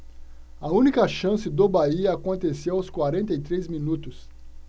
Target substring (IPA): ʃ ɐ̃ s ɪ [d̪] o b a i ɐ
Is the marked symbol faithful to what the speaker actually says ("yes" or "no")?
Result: yes